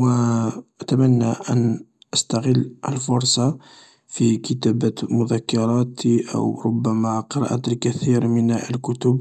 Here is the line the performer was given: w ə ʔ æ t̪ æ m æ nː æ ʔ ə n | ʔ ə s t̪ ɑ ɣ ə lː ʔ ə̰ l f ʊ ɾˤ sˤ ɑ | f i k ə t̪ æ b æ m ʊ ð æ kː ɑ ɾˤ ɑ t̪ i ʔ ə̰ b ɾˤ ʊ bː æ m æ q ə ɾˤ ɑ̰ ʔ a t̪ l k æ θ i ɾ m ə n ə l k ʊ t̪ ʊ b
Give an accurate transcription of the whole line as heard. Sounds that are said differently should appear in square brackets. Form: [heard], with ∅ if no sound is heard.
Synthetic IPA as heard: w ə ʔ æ t̪ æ m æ nː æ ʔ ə n | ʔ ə s t̪ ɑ ɣ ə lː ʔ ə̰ l f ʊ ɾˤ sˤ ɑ | f i k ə t̪ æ b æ m ʊ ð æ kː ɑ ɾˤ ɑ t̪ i ʔ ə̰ [w] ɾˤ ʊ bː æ m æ q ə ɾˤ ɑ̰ ʔ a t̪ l k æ θ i ɾ m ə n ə l k ʊ t̪ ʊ b